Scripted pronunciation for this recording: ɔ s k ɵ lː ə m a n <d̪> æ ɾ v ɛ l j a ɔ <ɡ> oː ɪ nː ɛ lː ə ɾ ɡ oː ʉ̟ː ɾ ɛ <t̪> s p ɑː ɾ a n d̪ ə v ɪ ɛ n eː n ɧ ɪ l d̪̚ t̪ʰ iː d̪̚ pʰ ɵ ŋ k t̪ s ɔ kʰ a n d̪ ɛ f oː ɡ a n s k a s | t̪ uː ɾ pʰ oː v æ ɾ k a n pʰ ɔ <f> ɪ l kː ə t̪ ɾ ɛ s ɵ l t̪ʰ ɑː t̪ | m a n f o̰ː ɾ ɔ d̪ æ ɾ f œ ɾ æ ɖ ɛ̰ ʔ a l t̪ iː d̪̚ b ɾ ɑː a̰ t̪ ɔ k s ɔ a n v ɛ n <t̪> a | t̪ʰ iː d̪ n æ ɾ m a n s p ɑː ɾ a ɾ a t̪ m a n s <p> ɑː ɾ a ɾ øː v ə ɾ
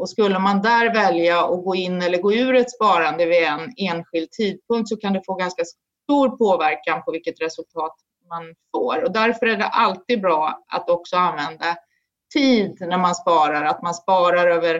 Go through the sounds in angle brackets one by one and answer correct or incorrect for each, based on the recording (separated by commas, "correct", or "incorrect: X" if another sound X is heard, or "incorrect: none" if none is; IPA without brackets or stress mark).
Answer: correct, correct, correct, incorrect: v, incorrect: d̪, correct